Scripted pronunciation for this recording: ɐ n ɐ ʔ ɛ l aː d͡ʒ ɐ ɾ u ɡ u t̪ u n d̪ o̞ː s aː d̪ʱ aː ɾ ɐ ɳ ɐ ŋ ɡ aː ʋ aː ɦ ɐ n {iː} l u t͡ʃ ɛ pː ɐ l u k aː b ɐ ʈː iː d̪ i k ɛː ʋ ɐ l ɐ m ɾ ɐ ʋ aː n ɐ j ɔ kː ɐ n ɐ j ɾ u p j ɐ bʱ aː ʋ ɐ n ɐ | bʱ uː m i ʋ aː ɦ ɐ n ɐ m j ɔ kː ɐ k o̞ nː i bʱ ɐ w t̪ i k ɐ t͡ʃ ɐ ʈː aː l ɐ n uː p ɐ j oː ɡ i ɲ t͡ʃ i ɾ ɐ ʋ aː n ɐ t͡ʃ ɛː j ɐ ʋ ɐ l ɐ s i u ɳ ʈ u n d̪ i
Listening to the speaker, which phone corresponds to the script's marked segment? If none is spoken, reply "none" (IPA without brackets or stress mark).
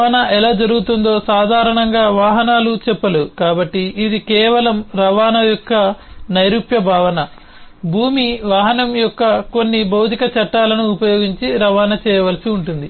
aː